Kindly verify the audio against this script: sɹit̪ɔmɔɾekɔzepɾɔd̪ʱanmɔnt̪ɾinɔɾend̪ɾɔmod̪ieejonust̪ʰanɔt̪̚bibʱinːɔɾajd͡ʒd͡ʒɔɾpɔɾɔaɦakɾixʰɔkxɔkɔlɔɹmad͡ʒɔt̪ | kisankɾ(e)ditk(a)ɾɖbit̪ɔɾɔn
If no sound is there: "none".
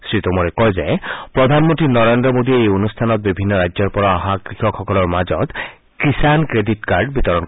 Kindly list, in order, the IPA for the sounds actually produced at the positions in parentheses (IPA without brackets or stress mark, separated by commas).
e, a